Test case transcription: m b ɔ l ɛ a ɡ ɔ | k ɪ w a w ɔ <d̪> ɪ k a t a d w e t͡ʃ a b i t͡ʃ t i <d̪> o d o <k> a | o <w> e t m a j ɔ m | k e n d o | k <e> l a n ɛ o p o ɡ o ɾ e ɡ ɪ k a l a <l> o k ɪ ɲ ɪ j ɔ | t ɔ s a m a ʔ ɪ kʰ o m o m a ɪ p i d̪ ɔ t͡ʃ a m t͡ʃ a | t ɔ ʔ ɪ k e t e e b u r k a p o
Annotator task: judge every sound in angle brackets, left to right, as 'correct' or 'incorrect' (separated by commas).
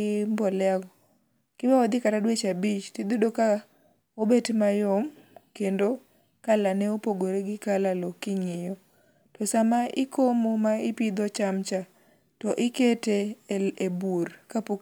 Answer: correct, correct, correct, incorrect, incorrect, correct